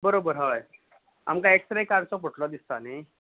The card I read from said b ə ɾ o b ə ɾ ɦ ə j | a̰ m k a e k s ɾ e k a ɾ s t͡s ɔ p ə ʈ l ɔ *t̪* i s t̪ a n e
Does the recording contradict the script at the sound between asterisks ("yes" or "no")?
yes